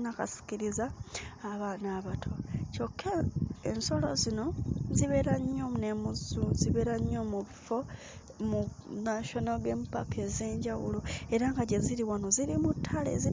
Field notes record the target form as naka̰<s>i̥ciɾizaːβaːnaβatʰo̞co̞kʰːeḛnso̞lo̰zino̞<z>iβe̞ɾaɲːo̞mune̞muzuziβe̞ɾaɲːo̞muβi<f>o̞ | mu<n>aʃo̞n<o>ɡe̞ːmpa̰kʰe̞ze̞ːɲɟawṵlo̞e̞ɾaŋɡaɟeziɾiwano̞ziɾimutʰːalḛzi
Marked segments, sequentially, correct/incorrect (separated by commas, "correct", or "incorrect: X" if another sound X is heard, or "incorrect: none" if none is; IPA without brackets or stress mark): correct, correct, correct, correct, correct